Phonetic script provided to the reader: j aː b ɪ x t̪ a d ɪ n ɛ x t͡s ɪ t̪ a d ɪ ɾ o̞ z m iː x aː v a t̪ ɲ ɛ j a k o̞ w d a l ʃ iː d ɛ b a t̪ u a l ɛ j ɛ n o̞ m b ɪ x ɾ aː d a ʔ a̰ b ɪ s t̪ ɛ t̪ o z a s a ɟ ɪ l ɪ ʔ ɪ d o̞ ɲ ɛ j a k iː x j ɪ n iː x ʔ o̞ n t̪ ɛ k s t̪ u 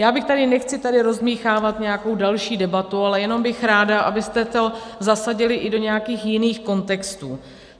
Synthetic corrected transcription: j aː b ɪ x t̪ a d ɪ n ɛ x t͡s ɪ t̪ a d ɪ ɾ o̞ z m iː x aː v a t̪ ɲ ɛ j a k o̞ w d a l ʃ iː d ɛ b a t̪ u a l ɛ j ɛ n o̞ m b ɪ x ɾ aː d a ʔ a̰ b ɪ s t̪ ɛ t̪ o z a s a ɟ ɪ l ɪ ʔ ɪ d o̞ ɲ ɛ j a k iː x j ɪ n iː x k o̞ n t̪ ɛ k s t̪ uː